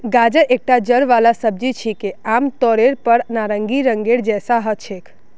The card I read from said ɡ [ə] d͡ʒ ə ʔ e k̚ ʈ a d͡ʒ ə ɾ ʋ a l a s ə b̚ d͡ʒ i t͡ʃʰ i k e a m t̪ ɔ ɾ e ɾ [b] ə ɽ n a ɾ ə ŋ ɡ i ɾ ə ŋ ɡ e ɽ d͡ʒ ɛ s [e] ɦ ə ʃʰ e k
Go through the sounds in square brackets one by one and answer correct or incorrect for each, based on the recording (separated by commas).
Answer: incorrect, incorrect, incorrect